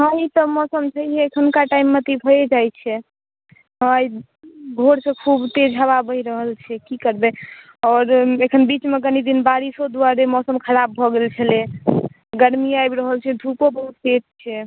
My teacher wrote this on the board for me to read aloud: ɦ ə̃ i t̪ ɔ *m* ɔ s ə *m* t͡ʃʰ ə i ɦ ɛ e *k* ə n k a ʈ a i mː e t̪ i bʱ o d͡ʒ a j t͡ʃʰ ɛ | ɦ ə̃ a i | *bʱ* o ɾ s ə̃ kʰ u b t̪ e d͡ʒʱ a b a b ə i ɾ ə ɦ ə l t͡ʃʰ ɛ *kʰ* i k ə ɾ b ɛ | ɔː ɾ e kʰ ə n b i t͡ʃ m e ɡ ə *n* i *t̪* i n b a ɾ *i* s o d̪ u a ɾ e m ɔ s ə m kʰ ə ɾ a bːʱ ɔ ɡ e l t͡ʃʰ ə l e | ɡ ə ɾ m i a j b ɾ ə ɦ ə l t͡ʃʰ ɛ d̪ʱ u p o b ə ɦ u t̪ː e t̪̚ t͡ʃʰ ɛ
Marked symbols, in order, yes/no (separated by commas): yes, yes, no, no, no, yes, no, yes